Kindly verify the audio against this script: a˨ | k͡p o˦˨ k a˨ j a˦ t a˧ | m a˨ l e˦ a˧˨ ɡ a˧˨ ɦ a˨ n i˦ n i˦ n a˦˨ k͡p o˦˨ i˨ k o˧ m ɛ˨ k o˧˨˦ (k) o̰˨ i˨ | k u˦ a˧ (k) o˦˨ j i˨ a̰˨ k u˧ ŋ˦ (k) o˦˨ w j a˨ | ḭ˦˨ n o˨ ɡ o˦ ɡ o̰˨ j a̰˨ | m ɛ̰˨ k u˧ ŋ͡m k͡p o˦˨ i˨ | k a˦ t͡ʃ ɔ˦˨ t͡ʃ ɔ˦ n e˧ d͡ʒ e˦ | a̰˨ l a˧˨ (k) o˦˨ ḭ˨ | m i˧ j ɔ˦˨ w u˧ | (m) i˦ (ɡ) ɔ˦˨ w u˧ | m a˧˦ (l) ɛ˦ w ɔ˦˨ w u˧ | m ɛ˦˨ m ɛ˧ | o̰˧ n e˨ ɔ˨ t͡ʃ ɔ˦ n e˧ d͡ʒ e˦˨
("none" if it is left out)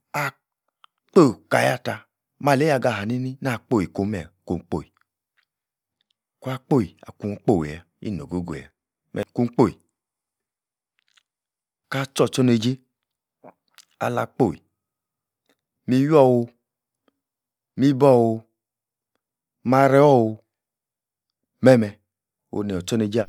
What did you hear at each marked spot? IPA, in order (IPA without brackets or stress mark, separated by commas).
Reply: k͡p, k͡p, k͡p, k͡p, m, b, ɾ